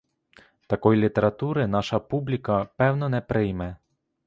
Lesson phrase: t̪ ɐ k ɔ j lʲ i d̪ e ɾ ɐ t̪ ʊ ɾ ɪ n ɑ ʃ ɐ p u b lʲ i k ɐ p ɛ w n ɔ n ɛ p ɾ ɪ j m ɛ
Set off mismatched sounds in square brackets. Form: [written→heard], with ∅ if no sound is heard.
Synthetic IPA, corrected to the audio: t̪ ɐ k ɔ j lʲ i [d̪→t̪] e ɾ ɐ t̪ [ʊ→u] ɾ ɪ n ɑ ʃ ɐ p u b lʲ i k ɐ p ɛ w n ɔ n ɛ p ɾ ɪ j m ɛ